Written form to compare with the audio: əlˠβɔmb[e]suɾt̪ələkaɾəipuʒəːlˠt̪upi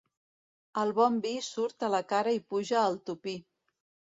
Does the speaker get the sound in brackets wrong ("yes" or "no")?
yes